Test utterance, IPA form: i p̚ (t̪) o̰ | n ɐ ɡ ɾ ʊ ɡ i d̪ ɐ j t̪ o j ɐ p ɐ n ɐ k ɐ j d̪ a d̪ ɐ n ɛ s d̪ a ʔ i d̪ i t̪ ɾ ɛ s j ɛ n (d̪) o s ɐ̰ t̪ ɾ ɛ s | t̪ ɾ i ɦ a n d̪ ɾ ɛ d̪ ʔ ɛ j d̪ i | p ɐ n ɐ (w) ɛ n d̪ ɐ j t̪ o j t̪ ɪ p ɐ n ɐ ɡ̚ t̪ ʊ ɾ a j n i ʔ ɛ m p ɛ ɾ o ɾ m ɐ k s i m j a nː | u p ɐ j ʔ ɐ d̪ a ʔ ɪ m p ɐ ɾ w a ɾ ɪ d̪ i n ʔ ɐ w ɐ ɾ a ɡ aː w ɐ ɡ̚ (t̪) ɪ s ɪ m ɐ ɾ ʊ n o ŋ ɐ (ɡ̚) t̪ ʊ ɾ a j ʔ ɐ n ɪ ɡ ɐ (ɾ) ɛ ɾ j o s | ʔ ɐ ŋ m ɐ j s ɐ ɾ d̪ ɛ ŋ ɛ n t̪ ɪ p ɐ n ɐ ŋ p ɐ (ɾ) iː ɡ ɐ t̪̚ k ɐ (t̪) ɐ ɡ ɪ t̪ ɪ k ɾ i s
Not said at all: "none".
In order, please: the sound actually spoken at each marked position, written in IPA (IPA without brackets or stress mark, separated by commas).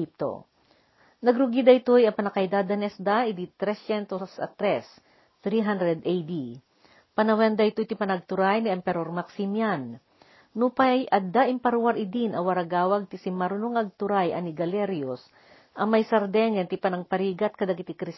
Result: t̪, t̪, w, t̪, ɡ̚, l, ɾ, d̪